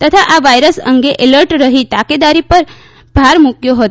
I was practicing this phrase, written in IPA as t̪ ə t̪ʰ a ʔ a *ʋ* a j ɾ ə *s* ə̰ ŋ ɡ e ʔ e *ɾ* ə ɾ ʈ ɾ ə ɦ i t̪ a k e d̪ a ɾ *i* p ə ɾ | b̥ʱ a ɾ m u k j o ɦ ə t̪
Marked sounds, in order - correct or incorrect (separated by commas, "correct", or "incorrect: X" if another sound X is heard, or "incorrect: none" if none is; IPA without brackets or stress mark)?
correct, correct, incorrect: l, correct